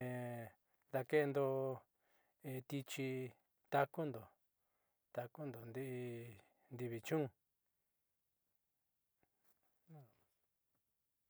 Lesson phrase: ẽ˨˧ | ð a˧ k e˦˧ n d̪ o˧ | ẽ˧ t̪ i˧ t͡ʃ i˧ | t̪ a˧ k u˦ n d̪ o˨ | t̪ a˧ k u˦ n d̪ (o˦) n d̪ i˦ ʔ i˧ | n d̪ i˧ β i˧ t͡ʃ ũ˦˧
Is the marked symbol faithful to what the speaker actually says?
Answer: no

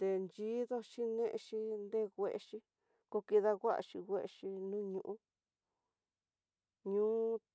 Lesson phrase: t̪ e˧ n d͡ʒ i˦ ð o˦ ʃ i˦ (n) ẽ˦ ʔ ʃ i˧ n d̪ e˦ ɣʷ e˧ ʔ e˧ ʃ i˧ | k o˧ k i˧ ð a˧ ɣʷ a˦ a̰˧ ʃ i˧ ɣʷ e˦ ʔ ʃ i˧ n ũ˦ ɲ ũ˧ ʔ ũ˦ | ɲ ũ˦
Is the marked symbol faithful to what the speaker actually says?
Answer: yes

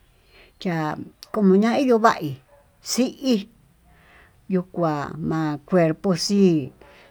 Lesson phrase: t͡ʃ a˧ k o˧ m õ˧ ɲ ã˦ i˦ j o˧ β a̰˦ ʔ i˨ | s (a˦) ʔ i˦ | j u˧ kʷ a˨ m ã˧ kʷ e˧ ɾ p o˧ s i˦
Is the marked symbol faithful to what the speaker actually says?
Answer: no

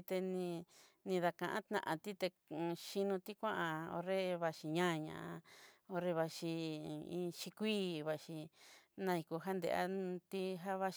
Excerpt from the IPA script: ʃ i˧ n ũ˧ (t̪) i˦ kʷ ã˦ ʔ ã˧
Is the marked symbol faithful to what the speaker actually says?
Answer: yes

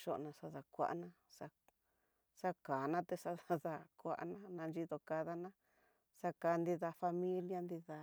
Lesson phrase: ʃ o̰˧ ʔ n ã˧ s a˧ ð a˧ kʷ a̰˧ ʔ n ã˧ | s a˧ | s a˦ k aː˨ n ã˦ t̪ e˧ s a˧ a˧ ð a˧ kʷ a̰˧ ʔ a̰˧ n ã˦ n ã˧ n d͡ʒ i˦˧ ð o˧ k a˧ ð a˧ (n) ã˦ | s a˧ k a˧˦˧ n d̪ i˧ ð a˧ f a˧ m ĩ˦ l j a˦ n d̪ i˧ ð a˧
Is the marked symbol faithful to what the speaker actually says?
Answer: yes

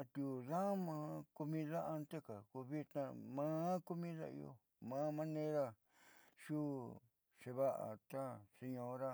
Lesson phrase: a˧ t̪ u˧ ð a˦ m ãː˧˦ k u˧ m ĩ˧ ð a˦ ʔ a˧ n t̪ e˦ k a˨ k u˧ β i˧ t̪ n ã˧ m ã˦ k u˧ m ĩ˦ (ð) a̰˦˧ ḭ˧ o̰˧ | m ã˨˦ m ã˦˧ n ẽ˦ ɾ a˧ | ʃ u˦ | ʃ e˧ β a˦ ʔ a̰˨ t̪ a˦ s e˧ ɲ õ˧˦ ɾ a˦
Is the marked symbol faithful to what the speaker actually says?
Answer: yes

